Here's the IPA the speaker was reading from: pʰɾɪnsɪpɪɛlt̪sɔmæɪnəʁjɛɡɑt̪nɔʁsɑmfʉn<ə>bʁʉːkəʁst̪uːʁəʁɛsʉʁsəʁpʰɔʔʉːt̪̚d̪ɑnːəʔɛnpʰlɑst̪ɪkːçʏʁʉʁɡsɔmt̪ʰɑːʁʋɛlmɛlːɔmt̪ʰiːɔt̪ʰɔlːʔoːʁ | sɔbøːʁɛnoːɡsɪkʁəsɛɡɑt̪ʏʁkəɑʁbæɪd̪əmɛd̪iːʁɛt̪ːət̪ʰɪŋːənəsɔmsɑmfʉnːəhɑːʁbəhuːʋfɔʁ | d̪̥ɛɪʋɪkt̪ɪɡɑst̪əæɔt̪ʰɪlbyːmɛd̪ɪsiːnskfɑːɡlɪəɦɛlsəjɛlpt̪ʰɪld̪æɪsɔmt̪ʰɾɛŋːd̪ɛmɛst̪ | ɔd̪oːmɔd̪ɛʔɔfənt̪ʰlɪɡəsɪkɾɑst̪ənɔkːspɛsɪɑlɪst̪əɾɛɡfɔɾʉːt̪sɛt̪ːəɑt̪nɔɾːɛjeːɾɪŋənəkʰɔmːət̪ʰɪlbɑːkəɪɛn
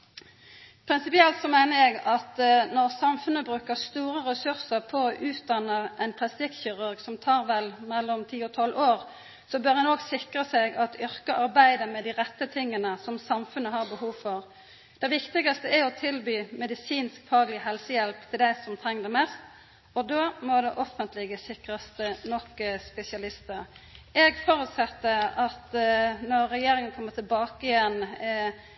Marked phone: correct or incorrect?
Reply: correct